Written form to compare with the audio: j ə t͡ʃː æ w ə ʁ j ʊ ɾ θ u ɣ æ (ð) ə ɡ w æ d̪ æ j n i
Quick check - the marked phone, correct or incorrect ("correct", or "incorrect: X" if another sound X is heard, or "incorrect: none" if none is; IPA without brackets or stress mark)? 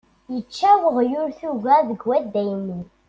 correct